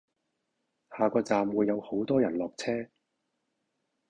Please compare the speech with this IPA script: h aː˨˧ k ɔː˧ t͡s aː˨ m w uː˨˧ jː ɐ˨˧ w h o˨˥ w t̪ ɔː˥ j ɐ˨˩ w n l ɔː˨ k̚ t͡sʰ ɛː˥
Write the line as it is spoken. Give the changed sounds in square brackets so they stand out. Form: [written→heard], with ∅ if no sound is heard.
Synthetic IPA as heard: h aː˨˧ k ɔː˧ t͡s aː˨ m w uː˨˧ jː ɐ˨˧ w h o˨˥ w t̪ ɔː˥ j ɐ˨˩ [w→∅] n l ɔː˨ k̚ t͡sʰ ɛː˥